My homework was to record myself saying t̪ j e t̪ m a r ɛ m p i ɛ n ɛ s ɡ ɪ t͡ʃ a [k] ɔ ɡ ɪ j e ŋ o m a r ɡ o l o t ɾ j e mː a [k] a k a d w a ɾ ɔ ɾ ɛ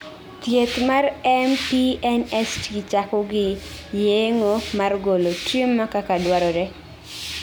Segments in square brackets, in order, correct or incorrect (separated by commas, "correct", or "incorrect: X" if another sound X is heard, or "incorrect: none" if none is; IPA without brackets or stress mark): correct, correct